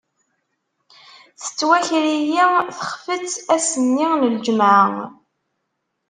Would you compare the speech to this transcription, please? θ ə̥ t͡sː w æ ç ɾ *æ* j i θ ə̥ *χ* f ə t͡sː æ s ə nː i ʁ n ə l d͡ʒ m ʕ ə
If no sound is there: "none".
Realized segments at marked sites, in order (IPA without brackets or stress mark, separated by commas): i, χ